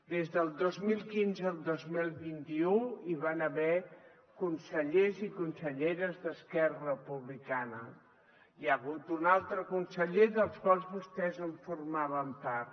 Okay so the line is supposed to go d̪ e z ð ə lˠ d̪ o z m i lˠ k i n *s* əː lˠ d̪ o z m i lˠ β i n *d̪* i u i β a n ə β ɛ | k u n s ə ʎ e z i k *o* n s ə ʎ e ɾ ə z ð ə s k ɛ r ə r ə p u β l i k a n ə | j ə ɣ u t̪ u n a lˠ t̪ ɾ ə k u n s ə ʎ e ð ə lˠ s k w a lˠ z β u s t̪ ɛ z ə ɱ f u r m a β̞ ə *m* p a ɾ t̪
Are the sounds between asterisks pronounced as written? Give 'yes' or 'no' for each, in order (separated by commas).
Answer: no, no, no, yes